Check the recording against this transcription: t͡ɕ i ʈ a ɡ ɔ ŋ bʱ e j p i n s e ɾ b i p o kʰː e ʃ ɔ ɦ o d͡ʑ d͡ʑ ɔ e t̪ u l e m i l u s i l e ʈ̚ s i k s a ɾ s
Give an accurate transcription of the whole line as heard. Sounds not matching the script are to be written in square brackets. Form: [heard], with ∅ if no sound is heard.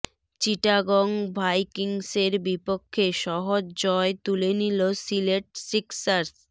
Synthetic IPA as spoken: t͡ɕ i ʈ a ɡ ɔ ŋ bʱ [a] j [k] i [ŋ] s e ɾ b i p o kʰː e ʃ ɔ ɦ o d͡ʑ d͡ʑ ɔ e t̪ u l e [n] i l [o] s i l e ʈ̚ s i k s a ɾ s